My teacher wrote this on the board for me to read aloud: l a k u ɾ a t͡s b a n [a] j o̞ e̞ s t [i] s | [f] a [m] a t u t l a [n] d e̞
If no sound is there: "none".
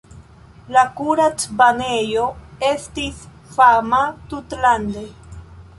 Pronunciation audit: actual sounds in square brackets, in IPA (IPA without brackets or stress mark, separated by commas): e, i, f, m, n